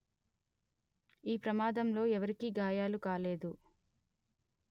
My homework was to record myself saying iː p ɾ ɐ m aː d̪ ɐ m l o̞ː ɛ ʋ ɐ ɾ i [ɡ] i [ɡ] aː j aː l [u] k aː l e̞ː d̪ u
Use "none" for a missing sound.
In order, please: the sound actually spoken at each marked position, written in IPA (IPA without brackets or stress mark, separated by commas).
k, ɡ, u